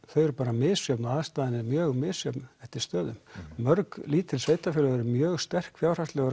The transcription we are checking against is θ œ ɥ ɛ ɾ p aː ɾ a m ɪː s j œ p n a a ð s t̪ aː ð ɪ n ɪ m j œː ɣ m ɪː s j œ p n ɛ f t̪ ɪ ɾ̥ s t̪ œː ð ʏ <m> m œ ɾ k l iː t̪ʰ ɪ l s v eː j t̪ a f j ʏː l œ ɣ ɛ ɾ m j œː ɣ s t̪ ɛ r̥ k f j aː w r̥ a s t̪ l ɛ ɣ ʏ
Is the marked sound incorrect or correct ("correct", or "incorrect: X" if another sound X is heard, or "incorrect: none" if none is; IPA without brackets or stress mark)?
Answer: correct